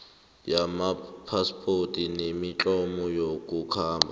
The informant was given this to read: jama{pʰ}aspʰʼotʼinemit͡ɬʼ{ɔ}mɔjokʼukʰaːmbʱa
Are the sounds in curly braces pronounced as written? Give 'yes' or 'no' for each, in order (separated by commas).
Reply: yes, yes